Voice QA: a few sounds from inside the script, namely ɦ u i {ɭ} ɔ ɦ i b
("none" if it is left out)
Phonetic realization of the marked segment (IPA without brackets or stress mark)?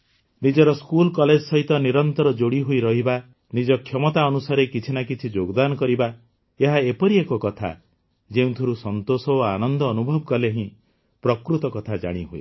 ɾ